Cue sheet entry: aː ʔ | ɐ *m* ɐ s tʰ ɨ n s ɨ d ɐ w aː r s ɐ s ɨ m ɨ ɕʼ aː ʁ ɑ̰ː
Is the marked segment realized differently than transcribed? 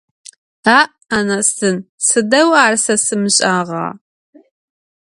yes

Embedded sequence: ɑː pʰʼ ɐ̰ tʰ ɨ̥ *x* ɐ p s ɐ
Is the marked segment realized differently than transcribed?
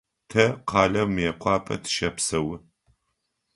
yes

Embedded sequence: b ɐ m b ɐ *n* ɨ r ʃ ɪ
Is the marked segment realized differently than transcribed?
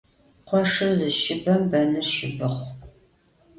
no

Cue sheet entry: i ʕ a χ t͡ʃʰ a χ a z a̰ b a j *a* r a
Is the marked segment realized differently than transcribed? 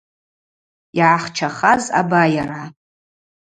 no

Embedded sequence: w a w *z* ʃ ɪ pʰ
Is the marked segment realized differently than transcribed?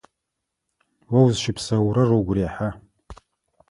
no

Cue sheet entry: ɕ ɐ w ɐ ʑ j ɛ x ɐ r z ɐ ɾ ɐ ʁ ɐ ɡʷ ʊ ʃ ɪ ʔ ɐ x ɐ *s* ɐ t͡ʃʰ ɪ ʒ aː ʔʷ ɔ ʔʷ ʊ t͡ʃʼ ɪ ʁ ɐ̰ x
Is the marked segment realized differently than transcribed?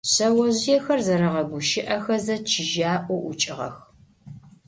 yes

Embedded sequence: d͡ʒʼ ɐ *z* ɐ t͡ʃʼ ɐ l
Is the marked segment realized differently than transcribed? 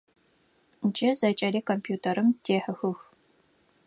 no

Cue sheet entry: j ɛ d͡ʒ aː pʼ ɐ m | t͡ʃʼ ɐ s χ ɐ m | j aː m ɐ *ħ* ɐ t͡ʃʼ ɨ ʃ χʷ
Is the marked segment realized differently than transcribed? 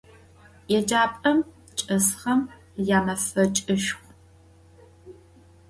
yes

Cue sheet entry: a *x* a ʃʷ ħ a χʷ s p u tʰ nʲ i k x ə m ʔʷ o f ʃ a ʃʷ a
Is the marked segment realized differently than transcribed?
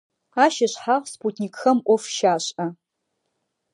yes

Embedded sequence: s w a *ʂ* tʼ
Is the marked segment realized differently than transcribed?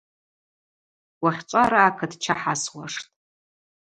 no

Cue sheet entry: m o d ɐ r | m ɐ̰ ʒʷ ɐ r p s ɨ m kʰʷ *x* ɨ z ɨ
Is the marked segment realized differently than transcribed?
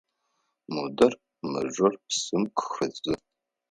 no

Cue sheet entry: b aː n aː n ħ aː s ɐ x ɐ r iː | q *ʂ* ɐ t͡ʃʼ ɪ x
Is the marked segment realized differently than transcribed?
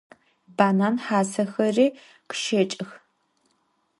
yes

